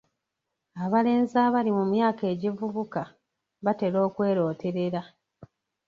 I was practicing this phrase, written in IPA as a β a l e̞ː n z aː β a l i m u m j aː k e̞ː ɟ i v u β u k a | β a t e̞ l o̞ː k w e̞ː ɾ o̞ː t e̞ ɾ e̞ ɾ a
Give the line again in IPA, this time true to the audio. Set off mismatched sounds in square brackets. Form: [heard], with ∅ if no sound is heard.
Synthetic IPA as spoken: a β a l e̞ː n z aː β a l i m u m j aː k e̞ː ɟ i v u β u k a | β a t e̞ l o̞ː k w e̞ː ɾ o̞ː t e̞ ɾ e̞ ɾ a